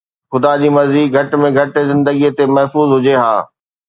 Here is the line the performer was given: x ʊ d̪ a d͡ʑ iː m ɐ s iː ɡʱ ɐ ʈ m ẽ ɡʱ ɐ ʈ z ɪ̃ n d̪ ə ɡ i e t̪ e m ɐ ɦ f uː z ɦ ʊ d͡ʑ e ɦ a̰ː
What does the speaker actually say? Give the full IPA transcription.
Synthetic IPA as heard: x ʊ d̪ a d͡ʑ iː m ɐ z iː ɡʱ ɐ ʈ m ẽ ɡʱ ɐ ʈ z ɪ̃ n d̪ ə ɡ i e t̪ e m ɐ ɦ f uː z ɦ ʊ d͡ʑ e ɦ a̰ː